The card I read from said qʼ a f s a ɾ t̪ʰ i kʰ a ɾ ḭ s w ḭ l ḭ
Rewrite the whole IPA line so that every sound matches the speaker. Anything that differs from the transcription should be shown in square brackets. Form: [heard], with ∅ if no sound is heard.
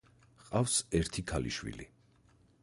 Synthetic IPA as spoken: qʼ a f s [ɛ] ɾ t̪ʰ i kʰ a [l] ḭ [ʃ] w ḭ l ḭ

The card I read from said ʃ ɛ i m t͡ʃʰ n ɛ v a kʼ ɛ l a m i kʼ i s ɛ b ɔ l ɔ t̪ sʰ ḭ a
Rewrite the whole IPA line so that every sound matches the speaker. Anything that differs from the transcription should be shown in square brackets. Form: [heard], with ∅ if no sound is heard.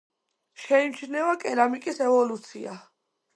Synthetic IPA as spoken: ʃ ɛ i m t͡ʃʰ n ɛ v a kʼ ɛ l a m i kʼ i s ɛ [v] ɔ l [u] t̪ sʰ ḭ a

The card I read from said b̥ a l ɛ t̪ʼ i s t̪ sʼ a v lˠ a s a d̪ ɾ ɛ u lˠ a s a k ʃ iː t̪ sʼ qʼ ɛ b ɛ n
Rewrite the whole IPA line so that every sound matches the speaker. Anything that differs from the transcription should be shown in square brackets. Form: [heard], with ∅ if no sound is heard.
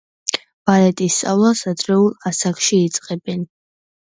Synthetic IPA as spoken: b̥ a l ɛ t̪ʼ i s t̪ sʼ a v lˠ a s a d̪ ɾ ɛ u lˠ a s a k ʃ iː t̪ sʼ qʼ ɛ b ɛ n

